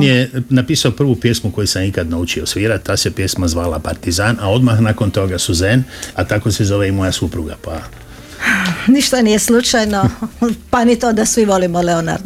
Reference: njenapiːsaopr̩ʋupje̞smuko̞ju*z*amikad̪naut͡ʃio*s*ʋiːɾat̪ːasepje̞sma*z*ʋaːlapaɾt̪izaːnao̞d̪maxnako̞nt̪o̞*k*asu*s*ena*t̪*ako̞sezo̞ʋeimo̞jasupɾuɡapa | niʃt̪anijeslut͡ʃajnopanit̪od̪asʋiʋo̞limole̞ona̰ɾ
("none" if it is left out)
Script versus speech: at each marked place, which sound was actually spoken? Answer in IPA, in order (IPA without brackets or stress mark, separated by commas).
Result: s, s, z, ɡ, z, t̪